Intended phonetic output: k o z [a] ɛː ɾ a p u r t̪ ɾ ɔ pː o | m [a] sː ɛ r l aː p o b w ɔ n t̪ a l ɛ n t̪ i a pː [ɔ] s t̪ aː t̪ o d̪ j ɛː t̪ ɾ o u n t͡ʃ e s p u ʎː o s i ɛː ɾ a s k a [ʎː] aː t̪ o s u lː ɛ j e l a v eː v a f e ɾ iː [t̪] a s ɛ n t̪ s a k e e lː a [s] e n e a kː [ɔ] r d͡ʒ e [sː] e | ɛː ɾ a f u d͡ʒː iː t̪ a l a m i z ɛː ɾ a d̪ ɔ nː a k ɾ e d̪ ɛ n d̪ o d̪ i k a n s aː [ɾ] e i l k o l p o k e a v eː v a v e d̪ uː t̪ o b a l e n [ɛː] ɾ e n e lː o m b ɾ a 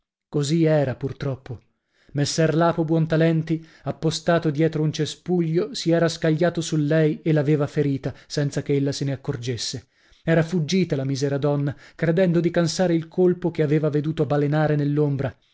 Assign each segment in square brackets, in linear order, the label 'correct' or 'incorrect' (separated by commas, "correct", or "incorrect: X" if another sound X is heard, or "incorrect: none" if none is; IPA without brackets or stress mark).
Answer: incorrect: i, incorrect: e, incorrect: o, correct, correct, correct, incorrect: o, correct, correct, incorrect: aː